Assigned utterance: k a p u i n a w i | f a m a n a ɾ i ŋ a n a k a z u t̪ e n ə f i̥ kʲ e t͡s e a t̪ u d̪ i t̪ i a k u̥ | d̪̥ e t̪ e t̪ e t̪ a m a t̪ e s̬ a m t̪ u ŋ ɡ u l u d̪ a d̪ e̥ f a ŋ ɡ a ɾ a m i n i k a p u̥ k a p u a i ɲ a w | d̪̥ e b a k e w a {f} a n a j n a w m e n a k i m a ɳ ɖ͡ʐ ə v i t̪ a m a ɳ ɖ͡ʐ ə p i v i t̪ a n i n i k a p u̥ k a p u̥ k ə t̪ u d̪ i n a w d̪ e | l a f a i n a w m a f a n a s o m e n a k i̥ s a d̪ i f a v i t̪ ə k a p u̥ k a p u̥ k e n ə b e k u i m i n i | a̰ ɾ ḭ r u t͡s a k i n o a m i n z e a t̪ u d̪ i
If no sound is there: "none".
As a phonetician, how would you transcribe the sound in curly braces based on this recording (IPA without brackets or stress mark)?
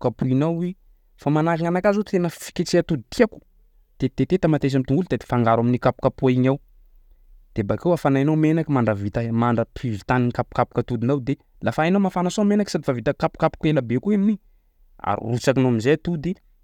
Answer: f